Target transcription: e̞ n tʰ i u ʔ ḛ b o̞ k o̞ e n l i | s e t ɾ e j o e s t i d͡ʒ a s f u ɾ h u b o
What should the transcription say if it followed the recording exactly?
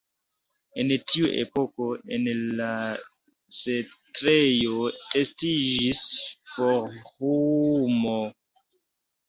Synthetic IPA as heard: e̞ n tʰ i u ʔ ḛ p o̞ k o̞ e n l a | s e t ɾ e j o e s t i d͡ʒ i s f o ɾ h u m o

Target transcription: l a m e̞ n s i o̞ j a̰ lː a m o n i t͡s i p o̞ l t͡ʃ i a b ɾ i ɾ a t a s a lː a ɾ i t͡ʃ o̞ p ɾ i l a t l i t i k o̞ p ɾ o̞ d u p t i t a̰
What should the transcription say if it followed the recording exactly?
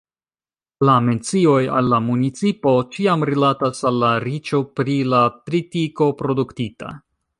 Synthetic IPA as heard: l a m e̞ n t͡s i o̞ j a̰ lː a m u n i t͡s i p o̞ t͡ʃ i a m ɾ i l a t a s a lː a ɾ i t͡ʃ o̞ p ɾ i l a t ɾ i t i k o̞ p ɾ o̞ d u k t i t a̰

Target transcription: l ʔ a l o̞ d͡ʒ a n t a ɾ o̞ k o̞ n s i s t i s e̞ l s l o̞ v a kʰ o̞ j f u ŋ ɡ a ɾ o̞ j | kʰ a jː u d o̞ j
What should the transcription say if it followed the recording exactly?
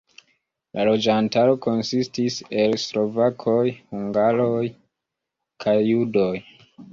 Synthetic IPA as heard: l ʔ a l o̞ d͡ʒ a n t a ɾ o̞ k o̞ n s i s t i s e̞ l s l o̞ v a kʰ o̞ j h u ŋ ɡ a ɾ o̞ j | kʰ a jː u d o̞ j

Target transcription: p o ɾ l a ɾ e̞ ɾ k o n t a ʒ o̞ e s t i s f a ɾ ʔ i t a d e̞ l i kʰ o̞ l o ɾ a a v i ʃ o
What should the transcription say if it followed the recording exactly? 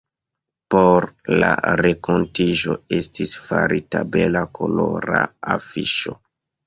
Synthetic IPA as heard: p o ɾ l a ɾ e̞ k o n t i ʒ o̞ e s t i s f a ɾ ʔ i t a b e̞ l a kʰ o̞ l o ɾ a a f i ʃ o

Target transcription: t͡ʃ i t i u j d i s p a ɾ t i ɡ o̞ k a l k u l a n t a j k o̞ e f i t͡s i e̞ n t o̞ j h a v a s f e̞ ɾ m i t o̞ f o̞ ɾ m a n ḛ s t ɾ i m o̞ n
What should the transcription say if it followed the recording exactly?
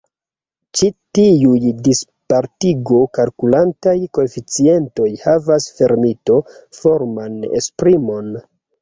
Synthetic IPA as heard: t͡ʃ i t i u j d i s p a ɾ t i ɡ o̞ k a l k u l a n t a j k o̞ e f i t͡s i e̞ n t o̞ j h a v a s f e̞ ɾ m i t o̞ f o̞ ɾ m a n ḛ s p ɾ i m o̞ n

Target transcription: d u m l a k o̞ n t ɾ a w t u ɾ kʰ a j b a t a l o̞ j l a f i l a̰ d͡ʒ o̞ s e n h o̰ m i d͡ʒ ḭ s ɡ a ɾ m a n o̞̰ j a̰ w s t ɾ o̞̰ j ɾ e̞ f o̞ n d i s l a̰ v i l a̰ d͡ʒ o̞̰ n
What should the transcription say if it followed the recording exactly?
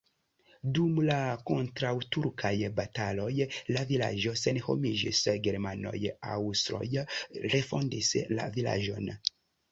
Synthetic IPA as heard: d u m l a k o̞ n t ɾ a w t u ɾ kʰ a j b a t a l o̞ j l a v i l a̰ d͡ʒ o̞ s e n h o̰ m i d͡ʒ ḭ s ɡ e ɾ m a n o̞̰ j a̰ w s t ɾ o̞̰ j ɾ e̞ f o̞ n d i s l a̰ v i l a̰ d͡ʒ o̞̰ n

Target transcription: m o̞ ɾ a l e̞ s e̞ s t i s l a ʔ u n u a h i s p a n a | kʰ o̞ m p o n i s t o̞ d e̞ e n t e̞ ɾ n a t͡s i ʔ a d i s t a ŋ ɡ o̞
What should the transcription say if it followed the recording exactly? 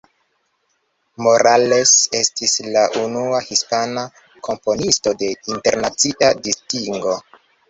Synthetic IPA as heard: m o̞ ɾ a l e̞ s e̞ s t i s l a ʔ u n u a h i s p a n a | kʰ o̞ m p o n i s t o̞ d e̞ i n t e̞ ɾ n a t͡s i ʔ a d i s t i ŋ ɡ o̞

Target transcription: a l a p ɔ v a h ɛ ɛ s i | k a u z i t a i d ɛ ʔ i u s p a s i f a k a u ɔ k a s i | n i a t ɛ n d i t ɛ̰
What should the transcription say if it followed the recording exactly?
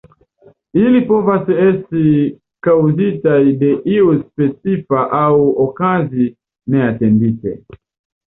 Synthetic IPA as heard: i l i p ɔ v a s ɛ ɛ s i | k a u z i t a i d ɛ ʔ i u s p ɛ s i f a ʔ a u ɔ k a z i | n ɛ a t ɛ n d i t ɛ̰

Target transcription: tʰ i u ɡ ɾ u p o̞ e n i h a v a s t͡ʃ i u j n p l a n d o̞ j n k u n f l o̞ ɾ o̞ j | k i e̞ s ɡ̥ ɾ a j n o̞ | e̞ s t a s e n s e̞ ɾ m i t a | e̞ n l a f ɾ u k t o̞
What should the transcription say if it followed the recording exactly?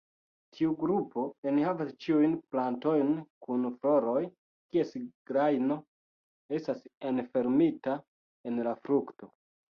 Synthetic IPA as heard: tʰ i u ɡ ɾ u p o̞ e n i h a v a s t͡ʃ i u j n p l a n t o̞ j n k u n f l o̞ ɾ o̞ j | k i e̞ s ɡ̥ ɾ a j n o̞ | e̞ s t a s e n f e̞ ɾ m i t a | e̞ n l a f ɾ u k t o̞

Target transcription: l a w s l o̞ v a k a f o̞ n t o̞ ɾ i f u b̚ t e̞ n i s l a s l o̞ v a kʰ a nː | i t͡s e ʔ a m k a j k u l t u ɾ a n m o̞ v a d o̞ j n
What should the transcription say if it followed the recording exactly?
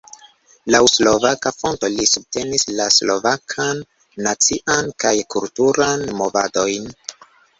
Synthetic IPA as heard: l a w s l o̞ v a k a f o̞ n t o̞ l i s u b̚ t e̞ n i s l a s l o̞ v a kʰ a nː | a t͡s i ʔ a n k a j k u l t u ɾ a n m o̞ v a d o̞ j n

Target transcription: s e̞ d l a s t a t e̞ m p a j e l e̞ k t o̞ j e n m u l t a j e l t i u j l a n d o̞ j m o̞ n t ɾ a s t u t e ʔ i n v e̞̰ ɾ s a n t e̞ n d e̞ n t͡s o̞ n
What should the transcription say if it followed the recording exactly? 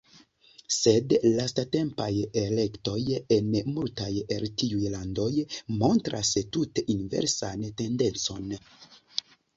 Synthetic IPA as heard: s e̞ d l a s t a t e̞ m p a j e l e̞ k t o̞ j e n m u l t a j e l t i u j l a n d o̞ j m o̞ n t ɾ a s t u t e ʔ i n v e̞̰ ɾ s a n t e̞ n d e̞ n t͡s o̞ n

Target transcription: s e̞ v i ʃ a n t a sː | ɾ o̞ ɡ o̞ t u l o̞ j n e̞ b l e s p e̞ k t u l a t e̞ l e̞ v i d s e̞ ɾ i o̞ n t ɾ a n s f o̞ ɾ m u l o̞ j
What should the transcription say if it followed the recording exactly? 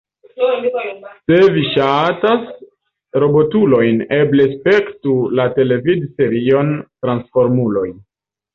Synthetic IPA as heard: s e̞ v i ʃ a t a s | ɾ o̞ b o̞ t u l o̞ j n e̞ b l e s p e̞ k t u l a t e̞ l e̞ v i d s e̞ ɾ i o̞ n t ɾ a n s f o̞ ɾ m u l o̞ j

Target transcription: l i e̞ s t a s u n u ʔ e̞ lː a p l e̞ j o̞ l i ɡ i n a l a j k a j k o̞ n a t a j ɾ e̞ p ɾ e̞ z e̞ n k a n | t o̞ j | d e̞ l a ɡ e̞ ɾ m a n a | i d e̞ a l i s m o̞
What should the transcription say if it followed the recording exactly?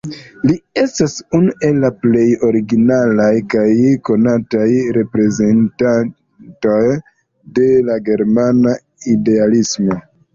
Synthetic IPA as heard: l i e̞ s t a s u n u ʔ e̞ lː a p l e̞ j o̞ ɾ i ɡ i n a l a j k a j k o̞ n a t a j ɾ e̞ p ɾ e̞ z e̞ n t a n | t o̞ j | d e̞ l a ɡ e̞ ɾ m a n a | i d e̞ a l i s m o̞

